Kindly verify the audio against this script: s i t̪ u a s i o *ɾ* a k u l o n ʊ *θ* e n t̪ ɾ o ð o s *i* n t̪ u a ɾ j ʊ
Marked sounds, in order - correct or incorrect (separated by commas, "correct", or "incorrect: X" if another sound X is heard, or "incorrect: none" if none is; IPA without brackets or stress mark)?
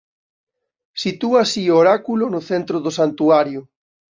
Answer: correct, correct, incorrect: a